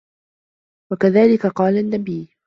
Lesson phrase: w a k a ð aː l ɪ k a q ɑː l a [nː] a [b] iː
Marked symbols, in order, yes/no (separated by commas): yes, yes